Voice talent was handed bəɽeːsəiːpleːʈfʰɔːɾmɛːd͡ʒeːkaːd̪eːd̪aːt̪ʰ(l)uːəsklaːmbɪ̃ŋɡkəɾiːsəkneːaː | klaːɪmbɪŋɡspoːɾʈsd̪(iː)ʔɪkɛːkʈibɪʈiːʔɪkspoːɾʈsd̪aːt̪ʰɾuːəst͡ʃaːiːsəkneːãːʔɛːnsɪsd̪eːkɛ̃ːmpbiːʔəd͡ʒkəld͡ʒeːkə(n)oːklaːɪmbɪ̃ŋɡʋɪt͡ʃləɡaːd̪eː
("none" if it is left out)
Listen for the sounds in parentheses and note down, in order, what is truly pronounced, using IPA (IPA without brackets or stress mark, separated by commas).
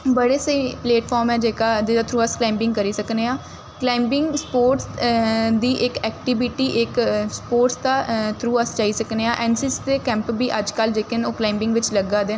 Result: ɾ, iː, n